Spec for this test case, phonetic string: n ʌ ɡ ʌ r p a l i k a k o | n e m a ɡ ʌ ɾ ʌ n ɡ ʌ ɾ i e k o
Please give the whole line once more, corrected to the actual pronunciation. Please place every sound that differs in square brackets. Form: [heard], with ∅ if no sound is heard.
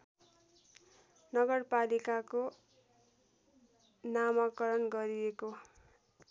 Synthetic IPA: n ʌ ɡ ʌ r p a l i k a k o | n [a] m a [k] ʌ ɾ ʌ n ɡ ʌ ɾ i e k o